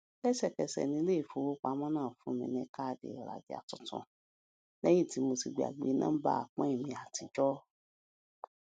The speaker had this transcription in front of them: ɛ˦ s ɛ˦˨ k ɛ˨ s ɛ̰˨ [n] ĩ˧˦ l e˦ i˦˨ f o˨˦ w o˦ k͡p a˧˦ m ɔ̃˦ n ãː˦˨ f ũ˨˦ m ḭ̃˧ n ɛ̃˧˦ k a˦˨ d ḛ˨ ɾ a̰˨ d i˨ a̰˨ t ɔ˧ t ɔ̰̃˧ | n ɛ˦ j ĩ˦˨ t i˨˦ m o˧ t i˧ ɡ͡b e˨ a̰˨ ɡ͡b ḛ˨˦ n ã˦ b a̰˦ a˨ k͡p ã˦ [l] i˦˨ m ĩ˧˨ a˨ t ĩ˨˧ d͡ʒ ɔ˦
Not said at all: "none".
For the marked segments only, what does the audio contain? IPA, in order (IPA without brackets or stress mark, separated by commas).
n, none